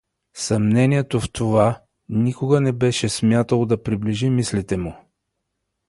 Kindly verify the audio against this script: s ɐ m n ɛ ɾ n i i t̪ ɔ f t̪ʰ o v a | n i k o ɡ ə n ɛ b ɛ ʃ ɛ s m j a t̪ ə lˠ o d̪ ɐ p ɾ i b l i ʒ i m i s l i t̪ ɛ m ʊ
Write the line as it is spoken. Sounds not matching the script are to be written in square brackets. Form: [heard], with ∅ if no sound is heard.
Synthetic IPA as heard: s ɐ m n ɛ [∅] n i [ɛ] t̪ [o] f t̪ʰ o v a | n i k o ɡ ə n ɛ b ɛ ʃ ɛ s m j a t̪ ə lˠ o d̪ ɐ p ɾ i b l i ʒ i m i s l i t̪ ɛ m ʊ